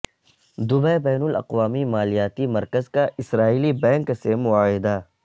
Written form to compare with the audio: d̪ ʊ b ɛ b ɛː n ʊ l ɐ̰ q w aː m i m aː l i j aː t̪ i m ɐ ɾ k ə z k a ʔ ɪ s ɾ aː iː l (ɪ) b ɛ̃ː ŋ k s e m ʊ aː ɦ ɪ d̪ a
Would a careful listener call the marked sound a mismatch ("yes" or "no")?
yes